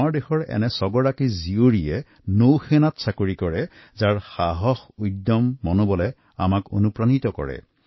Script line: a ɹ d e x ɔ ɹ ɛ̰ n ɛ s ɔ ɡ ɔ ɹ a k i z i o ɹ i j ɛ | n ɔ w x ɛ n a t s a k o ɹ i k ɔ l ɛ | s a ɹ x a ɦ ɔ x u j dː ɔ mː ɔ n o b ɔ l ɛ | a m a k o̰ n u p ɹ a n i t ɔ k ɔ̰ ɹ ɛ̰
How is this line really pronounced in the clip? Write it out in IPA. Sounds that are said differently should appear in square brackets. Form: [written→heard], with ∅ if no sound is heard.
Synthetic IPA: a ɹ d e x ɔ ɹ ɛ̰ n ɛ s ɔ ɡ ɔ ɹ a k i z i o ɹ i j ɛ | n [ɔ→o] w x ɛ n a t s a k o ɹ i k ɔ [l→ɹ] ɛ | [s→z] a ɹ x a ɦ ɔ x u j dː ɔ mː ɔ n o b ɔ l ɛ | a m a k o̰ n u p ɹ a n i t ɔ k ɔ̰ ɹ ɛ̰